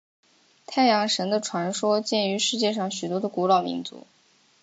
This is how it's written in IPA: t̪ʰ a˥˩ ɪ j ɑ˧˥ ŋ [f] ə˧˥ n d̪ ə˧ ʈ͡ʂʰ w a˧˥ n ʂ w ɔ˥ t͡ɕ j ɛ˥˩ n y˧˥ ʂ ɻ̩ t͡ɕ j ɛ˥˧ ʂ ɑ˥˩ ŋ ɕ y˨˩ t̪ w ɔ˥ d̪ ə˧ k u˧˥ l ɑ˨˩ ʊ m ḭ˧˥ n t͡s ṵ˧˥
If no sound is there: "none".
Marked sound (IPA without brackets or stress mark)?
ʂ